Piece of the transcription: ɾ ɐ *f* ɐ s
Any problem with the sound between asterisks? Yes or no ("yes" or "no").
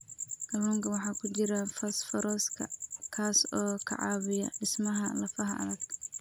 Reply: no